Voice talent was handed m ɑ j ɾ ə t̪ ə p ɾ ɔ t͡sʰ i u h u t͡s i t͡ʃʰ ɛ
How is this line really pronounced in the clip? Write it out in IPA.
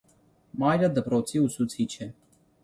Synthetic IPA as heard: m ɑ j ɾ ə d̪ ə p ɾ ɔ t͡sʰ i u s u t͡sʰ i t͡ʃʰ ɛ